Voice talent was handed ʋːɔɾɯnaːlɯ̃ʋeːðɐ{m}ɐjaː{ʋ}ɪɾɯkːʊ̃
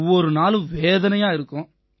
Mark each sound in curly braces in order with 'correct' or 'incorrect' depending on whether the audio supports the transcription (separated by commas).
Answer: incorrect, incorrect